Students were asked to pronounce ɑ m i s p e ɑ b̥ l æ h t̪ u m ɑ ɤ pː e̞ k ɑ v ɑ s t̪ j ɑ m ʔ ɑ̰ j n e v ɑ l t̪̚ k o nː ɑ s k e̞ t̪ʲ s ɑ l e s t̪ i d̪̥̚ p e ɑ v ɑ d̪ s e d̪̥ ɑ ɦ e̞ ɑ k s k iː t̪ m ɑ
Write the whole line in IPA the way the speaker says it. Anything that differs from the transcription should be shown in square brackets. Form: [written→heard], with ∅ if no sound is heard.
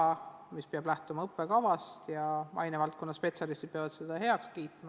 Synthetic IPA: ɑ m i s p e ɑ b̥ l æ h t̪ u m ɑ ɤ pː e̞ k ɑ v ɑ s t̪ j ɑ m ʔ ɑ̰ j n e v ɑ l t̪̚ k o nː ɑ s [k→p] e̞ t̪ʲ s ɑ l [e→i] s t̪ i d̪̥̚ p e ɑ v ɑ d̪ s e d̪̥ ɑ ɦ e̞ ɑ k s k iː t̪ m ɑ